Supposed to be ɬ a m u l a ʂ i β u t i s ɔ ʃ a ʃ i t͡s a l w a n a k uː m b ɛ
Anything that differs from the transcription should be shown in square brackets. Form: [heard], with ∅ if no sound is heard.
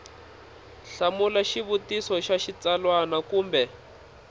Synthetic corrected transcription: ɬ a m u l a [ʃ] i β u t i s ɔ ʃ a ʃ i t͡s a l w a n a k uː m b ɛ